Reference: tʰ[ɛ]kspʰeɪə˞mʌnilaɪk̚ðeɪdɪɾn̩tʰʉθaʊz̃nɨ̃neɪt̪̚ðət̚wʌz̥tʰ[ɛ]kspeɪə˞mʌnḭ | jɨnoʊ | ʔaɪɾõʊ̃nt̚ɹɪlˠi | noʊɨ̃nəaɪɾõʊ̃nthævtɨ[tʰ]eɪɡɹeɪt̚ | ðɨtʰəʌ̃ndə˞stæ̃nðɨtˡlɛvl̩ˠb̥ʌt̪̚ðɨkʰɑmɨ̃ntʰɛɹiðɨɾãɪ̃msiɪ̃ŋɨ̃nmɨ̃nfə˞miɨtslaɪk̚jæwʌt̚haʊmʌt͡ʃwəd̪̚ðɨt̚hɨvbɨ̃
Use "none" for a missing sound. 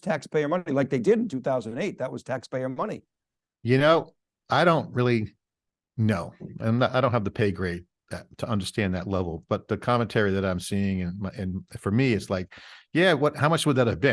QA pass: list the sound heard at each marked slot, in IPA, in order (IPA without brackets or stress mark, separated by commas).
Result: æ, æ, pʰ